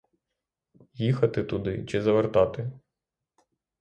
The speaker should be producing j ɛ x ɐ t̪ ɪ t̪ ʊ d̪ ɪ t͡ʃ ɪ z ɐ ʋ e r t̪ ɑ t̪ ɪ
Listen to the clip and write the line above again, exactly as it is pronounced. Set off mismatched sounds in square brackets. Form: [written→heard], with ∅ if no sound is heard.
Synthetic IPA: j [ɛ→i] x ɐ t̪ ɪ t̪ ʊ d̪ ɪ t͡ʃ ɪ z ɐ ʋ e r t̪ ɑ t̪ ɪ